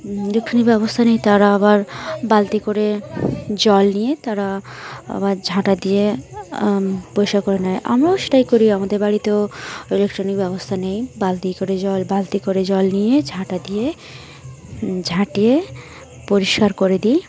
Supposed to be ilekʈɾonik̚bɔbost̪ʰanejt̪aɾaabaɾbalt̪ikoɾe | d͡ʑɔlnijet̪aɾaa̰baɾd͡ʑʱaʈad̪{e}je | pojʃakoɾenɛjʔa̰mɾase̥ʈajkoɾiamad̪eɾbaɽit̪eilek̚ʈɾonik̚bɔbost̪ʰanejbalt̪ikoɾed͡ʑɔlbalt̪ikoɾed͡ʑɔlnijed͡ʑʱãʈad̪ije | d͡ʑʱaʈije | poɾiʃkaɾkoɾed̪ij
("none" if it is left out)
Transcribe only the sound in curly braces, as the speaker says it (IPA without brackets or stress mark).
i